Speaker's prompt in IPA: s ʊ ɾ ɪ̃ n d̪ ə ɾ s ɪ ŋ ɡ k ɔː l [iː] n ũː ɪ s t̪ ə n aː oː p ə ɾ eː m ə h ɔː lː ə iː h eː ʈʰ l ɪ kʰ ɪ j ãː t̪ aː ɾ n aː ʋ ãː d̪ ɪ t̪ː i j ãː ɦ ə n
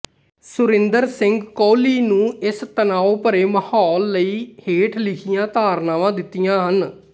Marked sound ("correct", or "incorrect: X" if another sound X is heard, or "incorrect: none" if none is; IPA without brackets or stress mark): correct